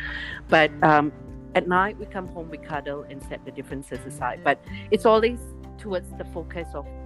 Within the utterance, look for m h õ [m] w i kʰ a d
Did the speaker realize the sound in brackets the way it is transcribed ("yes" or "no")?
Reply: yes